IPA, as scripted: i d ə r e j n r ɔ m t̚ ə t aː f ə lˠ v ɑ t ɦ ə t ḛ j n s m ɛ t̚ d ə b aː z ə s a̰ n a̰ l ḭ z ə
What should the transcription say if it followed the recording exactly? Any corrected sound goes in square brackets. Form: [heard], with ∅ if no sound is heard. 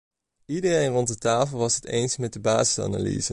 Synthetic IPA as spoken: i d ə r e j n r ɔ [n] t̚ ə t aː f ə lˠ [ʋ] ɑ [s] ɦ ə t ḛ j n s m ɛ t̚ d ə b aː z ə s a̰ n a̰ l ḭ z ə